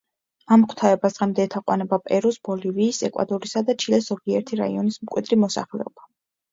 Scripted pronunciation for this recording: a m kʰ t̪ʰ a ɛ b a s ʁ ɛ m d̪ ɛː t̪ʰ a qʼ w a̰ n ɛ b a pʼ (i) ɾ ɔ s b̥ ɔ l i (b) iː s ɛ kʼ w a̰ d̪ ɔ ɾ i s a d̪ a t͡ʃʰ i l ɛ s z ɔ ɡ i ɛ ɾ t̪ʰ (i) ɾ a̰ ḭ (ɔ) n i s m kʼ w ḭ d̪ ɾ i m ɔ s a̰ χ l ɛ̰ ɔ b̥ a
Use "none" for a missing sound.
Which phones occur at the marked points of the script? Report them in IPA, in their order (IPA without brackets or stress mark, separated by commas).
ɛ, v, i, ɔ